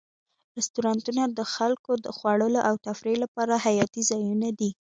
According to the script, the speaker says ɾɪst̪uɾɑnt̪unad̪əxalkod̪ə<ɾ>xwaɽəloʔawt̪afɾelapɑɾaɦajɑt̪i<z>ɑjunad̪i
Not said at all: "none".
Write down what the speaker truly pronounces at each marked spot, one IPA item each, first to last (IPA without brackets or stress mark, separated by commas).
none, z